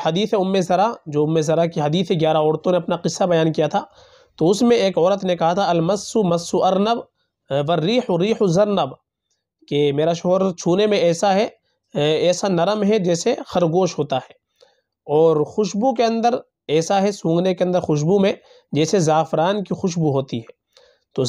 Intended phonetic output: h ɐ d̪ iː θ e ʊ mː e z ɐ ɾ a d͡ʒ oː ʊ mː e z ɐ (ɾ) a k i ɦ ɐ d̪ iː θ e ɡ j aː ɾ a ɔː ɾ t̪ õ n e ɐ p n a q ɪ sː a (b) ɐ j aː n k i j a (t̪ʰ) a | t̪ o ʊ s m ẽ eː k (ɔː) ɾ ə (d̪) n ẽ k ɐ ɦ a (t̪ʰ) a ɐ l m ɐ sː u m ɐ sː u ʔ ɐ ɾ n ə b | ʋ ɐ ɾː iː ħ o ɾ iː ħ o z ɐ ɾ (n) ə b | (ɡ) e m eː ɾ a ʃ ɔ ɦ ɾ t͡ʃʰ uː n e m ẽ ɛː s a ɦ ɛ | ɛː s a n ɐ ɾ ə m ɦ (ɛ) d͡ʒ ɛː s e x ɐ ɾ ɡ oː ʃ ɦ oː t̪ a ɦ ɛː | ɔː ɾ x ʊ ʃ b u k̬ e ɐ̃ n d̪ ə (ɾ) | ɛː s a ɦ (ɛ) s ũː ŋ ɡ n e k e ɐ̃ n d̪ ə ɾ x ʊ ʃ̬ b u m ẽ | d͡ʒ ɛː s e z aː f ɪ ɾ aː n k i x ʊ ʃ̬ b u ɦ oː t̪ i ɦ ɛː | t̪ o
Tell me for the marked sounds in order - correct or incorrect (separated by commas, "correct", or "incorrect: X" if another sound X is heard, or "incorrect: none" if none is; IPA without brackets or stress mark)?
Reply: correct, correct, correct, correct, incorrect: t̪, correct, correct, incorrect: k, correct, correct, correct